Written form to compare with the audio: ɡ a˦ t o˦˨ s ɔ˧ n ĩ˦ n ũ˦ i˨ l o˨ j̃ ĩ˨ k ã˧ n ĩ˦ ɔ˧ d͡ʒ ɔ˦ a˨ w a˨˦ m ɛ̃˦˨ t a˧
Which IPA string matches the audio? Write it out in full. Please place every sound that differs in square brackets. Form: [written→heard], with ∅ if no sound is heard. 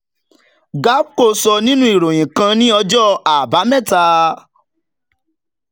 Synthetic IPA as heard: ɡ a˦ [t→k] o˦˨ s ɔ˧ n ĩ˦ n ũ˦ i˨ [l→ɾ] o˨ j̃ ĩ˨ k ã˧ n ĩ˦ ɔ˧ d͡ʒ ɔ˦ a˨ [w→b] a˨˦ m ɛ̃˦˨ t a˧